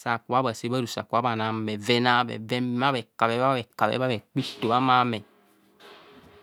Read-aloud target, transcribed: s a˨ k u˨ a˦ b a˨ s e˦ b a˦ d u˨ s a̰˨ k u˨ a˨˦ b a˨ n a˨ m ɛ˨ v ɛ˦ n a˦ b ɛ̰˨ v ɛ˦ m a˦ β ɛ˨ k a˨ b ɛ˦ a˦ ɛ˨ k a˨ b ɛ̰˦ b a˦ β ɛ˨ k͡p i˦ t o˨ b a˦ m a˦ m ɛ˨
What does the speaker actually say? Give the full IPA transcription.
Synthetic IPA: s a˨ k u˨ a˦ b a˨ s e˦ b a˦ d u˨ s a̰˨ k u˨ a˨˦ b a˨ n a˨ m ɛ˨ v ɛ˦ n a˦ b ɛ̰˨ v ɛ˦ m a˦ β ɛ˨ k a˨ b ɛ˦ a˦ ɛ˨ k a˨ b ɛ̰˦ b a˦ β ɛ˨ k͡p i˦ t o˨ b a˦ m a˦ m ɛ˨

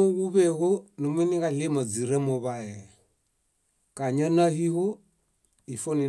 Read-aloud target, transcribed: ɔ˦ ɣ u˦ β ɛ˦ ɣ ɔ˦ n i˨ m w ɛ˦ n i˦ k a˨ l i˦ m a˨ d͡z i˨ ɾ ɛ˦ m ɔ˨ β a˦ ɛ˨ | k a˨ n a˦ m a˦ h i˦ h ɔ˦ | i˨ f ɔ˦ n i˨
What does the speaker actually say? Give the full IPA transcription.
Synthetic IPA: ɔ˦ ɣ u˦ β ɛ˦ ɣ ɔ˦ n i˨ m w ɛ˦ n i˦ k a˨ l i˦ m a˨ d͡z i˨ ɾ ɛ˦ m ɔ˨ β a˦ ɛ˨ | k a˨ ɲ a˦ n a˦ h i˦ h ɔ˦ | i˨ f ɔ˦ n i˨

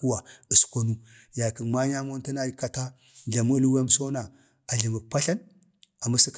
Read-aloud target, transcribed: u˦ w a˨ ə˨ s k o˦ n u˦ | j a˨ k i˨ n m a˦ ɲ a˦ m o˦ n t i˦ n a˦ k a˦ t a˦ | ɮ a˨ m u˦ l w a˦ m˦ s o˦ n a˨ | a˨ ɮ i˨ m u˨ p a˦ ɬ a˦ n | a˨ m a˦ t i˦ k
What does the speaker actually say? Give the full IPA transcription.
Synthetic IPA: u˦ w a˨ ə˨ s k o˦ n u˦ | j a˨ k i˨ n m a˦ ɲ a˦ m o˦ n t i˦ n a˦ k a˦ t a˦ | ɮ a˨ m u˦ l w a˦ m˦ s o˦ n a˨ | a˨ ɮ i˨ m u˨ p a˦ ɬ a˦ n | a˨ m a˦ s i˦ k

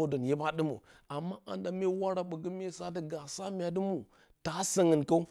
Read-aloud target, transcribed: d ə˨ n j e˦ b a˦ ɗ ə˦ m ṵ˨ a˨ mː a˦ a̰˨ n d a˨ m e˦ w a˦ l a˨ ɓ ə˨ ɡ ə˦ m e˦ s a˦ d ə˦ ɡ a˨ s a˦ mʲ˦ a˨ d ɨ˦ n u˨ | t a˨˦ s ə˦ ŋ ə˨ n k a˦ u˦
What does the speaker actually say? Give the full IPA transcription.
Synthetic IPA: d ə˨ n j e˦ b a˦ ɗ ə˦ m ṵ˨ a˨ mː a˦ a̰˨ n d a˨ m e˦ w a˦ ɾ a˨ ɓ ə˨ ɡ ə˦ m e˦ s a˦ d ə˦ ɡ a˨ s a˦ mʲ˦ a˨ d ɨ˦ m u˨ | t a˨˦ s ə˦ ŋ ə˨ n k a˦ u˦

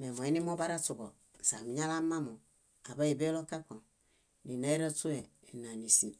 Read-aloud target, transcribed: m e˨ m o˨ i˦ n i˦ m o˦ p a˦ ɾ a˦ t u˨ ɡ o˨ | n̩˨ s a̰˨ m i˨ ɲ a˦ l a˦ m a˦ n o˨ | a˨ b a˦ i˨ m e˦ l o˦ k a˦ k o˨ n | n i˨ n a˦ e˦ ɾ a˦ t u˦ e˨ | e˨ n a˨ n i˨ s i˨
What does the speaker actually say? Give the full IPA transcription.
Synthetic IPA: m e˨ m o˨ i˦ n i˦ m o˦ b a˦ ɾ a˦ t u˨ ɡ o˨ | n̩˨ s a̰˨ m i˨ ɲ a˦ l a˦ m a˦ m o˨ | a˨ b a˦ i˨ b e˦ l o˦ k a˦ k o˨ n | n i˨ n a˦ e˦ ɾ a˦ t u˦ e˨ | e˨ n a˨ n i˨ s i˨

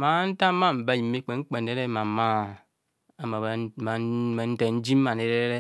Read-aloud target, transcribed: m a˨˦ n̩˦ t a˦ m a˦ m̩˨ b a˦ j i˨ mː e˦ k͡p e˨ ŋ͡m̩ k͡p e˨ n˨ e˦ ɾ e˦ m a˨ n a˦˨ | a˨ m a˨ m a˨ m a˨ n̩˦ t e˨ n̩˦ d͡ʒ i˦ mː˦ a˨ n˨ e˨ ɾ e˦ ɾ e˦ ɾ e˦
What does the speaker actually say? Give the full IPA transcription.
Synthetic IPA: m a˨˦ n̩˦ t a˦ m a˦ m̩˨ b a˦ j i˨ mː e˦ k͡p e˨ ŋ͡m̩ k͡p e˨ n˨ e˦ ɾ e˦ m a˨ m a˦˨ | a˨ m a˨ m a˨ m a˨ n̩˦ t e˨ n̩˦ d͡ʒ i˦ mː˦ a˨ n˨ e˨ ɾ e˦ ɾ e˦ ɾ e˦

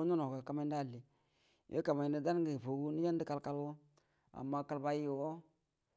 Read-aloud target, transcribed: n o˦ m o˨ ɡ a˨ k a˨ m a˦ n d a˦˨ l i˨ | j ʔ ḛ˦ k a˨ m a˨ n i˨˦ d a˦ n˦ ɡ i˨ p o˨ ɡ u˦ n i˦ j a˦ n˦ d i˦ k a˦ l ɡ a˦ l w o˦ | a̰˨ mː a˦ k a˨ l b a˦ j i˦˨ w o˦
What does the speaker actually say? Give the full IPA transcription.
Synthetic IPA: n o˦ n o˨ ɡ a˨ k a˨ m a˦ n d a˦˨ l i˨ | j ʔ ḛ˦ k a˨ m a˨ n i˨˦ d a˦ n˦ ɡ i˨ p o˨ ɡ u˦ n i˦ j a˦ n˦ d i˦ k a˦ l k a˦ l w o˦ | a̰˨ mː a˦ k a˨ l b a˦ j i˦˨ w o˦

